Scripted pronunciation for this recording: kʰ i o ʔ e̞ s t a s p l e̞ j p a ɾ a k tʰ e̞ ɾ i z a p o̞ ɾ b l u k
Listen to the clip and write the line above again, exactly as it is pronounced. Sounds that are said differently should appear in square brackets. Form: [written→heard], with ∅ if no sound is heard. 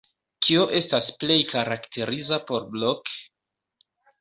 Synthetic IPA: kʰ i o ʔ e̞ s t a s p l e̞ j [p→k] a ɾ a k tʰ e̞ ɾ i z a p o̞ ɾ b l [u→o] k

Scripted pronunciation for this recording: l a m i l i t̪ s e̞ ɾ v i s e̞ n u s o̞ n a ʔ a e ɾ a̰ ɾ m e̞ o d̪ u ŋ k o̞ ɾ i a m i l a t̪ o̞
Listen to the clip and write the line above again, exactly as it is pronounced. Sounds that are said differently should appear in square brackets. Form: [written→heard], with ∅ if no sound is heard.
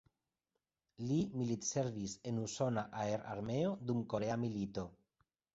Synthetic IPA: l [a→i] m i l i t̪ s e̞ ɾ v i s e̞ n u s o̞ n a ʔ a e ɾ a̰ ɾ m e̞ o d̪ u [ŋ→m] k o̞ ɾ [i→e] a m i l [a→i] t̪ o̞

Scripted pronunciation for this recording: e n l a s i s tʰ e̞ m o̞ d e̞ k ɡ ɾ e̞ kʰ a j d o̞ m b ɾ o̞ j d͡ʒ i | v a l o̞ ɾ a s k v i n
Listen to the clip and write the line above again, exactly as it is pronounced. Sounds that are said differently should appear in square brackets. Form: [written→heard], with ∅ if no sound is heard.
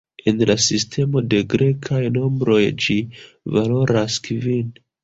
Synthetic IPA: e n l a s i s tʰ e̞ m o̞ d e̞ [k→∅] ɡ ɾ e̞ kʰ a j [d→n] o̞ m b ɾ o̞ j d͡ʒ i | v a l o̞ ɾ a s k v i n

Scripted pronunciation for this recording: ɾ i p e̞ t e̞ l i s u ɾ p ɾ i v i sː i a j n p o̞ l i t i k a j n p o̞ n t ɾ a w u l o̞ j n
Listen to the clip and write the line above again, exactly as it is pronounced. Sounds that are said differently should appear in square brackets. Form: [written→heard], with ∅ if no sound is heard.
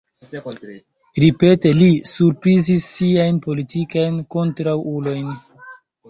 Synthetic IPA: ɾ i p e̞ t e̞ l i s u ɾ p ɾ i [v→z] i sː i a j n p o̞ l i t i k a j n [p→k] o̞ n t ɾ a w u l o̞ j n

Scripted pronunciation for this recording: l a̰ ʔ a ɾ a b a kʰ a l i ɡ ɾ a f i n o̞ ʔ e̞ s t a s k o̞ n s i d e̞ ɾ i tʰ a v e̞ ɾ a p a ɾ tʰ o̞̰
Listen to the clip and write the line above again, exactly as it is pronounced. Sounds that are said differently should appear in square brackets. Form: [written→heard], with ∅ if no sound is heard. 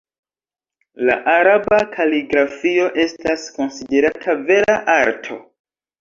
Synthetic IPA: l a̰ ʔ a ɾ a b a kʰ a l i ɡ ɾ a f i [n→∅] o̞ ʔ e̞ s t a s k o̞ n s i d e̞ ɾ [i→a] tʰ a v e̞ ɾ a [p→ʔ] a ɾ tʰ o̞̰

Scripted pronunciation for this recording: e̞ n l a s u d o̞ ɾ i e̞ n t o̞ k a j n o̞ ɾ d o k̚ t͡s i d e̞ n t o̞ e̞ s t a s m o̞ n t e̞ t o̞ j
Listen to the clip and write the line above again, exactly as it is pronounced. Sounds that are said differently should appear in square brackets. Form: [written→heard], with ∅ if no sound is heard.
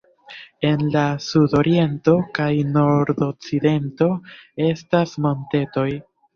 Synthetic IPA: e̞ n l a s u d o̞ ɾ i e̞ n t o̞ k a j n o̞ ɾ d o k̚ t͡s i d e̞ n t o̞ e̞ s t a s m o̞ n t e̞ t o̞ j

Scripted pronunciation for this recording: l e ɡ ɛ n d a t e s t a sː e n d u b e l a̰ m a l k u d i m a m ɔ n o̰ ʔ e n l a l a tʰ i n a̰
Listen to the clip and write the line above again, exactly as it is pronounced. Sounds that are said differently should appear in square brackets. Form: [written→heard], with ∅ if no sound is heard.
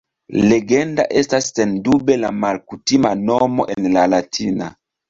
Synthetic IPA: l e ɡ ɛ n d a [t→ʔ] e s t a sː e n d u b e l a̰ m a l k u [d→t] i m a [m→n] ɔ [n→m] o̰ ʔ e n l a l a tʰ i n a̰

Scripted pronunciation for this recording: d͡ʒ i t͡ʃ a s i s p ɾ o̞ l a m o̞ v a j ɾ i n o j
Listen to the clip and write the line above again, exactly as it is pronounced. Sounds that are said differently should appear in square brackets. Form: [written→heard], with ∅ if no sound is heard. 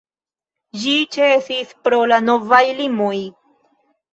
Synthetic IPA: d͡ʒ i t͡ʃ [a→e] s i s p ɾ o̞ l a [m→n] o̞ v a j [ɾ→l] i [n→m] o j

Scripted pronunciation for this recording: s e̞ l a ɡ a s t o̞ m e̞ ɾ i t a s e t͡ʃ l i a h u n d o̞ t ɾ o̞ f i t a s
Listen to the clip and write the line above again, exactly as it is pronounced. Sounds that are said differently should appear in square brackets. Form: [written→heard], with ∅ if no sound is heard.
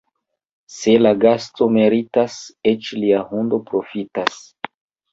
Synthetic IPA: s e̞ l a ɡ a s t o̞ m e̞ ɾ i t a s e t͡ʃ l i a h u n d o̞ [t→p] ɾ o̞ f i t a s

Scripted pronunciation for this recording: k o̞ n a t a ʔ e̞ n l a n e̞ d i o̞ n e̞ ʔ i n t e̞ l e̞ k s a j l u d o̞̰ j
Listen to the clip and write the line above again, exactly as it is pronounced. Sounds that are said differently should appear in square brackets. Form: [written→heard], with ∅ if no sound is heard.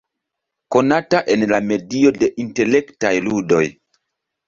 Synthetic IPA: k o̞ n a t a ʔ e̞ n l a [n→m] e̞ d i o̞ [n→d] e̞ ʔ i n t e̞ l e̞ k [s→t] a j l u d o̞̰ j

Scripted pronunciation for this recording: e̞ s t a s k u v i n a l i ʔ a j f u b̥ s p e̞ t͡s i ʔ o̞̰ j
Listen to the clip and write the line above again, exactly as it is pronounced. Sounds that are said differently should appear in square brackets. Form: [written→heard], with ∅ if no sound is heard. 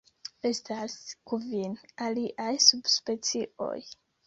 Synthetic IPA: e̞ s t a s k u v i n a l i ʔ a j [f→s] u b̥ s p e̞ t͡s i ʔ o̞̰ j

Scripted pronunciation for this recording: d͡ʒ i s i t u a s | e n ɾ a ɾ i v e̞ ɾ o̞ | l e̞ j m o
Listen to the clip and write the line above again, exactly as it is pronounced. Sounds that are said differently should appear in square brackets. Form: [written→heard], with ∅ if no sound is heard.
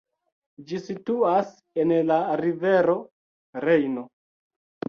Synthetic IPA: d͡ʒ i s i t u a s | e n [ɾ→l] a ɾ i v e̞ ɾ o̞ | [l→ɾ] e̞ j [m→n] o

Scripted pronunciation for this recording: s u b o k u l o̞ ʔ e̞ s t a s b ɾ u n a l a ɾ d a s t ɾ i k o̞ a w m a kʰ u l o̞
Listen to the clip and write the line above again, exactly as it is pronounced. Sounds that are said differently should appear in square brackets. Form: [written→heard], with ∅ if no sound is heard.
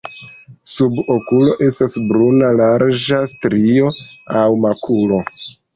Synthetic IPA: s u b o k u l o̞ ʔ e̞ s t a s b ɾ u n a l a ɾ [d→d͡ʒ] a s t ɾ i [k→∅] o̞ a w m a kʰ u l o̞

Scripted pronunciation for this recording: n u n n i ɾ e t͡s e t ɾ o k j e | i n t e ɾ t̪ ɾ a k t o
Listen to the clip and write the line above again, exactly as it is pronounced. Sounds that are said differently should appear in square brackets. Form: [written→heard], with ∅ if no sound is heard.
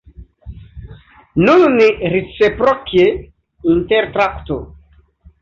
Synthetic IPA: n u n n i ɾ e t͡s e [t→p] ɾ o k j e | i n t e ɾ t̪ ɾ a k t o

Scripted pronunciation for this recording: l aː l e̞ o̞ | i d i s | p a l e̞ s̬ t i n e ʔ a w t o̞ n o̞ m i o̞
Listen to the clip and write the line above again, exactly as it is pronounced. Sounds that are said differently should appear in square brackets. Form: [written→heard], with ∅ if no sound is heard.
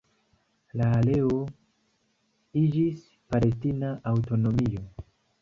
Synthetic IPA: l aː l e̞ o̞ | i [d→d͡ʒ] i s | p a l e̞ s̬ t i n [e→a] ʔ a w t o̞ n o̞ m i o̞

